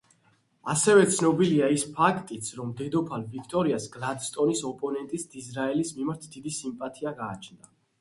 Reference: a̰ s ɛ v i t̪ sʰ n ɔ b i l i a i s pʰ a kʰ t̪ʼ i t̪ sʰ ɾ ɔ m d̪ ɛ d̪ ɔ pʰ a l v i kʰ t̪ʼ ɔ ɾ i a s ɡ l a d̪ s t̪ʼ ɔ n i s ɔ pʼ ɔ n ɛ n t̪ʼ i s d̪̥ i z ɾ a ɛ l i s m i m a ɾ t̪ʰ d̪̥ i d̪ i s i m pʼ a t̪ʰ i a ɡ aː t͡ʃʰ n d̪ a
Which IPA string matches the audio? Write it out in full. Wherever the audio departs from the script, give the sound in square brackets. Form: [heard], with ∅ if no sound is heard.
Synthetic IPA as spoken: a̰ s ɛ v [ɛ] t̪ sʰ n ɔ b i l i a i s pʰ a kʰ t̪ʼ i t̪ sʰ ɾ ɔ m d̪ ɛ d̪ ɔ pʰ a l v i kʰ t̪ʼ ɔ ɾ i a s ɡ l a d̪ s t̪ʼ ɔ n i s ɔ pʼ ɔ n ɛ n t̪ʼ i s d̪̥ i z ɾ a ɛ l i s m i m a ɾ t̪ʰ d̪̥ i d̪ i s i m pʼ a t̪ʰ i a ɡ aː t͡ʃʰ n d̪ a